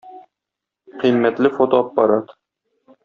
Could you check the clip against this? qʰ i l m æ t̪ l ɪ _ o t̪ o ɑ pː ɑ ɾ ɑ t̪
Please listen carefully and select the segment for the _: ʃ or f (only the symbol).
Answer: f